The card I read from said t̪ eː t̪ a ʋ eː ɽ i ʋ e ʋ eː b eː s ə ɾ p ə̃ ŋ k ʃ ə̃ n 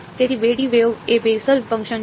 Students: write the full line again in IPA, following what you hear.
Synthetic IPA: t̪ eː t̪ i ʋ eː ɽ i ʋ e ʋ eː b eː s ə l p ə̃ ŋ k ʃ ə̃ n

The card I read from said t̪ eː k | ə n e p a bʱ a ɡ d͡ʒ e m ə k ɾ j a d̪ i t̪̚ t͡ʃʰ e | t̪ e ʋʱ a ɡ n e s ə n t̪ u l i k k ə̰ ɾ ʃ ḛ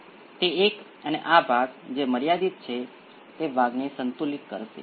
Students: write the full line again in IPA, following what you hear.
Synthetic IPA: t̪ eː k | ə n e ʔ a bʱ a ɡ d͡ʒ e m ə ɾ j a d̪ i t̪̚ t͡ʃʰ e | t̪ e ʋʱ a ɡ n e s ə n t̪ u l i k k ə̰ ɾ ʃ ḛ

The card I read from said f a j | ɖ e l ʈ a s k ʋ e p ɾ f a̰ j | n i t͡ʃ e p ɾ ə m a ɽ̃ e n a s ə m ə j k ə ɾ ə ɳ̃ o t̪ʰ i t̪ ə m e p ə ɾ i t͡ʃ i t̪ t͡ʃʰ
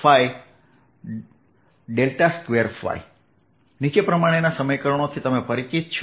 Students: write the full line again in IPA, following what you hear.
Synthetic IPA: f a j | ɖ e l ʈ a s k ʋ e ɾ f a̰ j | n i t͡ʃ e p ɾ ə m a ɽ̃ e n a s ə m ə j k ə ɾ ə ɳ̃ o t̪ʰ i t̪ ə m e p ə ɾ i t͡ʃ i t̪ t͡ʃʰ

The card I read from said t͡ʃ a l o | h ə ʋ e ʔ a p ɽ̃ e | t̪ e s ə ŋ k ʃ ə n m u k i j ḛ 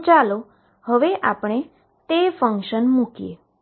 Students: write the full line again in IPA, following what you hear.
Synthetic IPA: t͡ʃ a l o | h ə ʋ e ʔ a p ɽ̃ e | t̪ e f ə ŋ k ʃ ə n m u k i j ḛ

